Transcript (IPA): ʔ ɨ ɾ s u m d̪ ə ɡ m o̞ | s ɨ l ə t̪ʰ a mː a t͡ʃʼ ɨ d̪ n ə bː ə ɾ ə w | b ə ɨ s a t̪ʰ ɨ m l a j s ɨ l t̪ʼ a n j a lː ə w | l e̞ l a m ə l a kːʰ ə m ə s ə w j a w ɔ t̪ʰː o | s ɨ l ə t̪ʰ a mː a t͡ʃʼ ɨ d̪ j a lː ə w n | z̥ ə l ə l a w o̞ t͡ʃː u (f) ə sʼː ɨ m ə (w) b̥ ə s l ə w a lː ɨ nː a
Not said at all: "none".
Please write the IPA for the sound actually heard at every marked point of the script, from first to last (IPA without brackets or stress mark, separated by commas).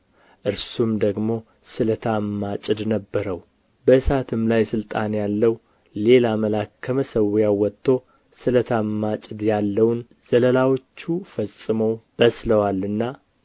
f, w